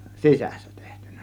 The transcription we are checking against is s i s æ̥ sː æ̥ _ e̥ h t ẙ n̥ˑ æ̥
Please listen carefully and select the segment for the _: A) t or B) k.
A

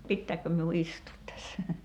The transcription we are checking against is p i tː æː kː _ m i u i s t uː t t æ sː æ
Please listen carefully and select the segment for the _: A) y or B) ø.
B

